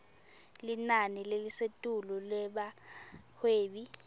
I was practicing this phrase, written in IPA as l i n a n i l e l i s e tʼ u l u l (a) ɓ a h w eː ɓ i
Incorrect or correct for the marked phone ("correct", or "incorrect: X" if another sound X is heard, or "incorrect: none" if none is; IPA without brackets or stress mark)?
incorrect: ɛ